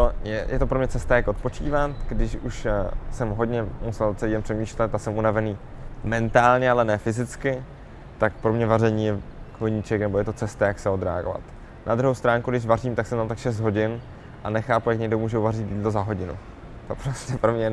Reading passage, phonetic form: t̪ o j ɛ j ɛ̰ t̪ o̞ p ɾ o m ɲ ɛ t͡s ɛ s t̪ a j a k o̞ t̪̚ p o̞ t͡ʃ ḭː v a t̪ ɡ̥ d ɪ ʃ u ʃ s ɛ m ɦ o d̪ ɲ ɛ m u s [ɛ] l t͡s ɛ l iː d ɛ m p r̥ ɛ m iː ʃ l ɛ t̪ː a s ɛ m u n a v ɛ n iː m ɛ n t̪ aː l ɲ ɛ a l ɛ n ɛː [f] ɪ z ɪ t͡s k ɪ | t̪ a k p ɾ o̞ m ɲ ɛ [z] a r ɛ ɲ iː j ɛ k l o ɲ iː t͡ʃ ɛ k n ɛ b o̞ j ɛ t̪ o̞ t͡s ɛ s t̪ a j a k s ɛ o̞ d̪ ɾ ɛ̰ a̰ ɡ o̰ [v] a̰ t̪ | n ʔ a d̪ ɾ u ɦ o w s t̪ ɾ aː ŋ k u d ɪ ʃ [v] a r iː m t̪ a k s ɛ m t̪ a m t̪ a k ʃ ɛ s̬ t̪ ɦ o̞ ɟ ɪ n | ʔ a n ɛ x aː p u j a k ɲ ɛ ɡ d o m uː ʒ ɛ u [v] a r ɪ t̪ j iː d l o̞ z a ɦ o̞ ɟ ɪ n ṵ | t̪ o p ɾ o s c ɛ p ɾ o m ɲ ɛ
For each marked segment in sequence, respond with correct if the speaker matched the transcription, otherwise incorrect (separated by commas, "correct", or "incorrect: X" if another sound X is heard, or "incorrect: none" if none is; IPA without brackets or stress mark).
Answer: correct, correct, incorrect: v, correct, correct, correct